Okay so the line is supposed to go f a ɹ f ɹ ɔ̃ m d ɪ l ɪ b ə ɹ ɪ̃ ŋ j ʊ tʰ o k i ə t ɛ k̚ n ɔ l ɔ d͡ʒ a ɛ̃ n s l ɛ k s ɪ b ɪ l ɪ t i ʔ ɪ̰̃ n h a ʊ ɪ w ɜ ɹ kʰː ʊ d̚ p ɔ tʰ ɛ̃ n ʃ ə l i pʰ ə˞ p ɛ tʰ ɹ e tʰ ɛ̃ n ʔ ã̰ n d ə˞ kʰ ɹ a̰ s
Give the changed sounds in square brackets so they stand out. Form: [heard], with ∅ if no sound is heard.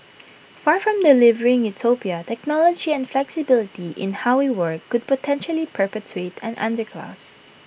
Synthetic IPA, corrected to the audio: f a ɹ f ɹ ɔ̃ m d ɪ l ɪ [v] ə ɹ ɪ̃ ŋ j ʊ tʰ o [p] i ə t ɛ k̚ n ɔ l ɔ d͡ʒ [i] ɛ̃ n [f] l ɛ k s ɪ b ɪ l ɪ t i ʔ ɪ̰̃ n h a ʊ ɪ w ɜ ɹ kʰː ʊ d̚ p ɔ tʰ ɛ̃ n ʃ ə l i pʰ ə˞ p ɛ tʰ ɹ e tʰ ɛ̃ n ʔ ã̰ n d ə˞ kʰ [l] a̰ s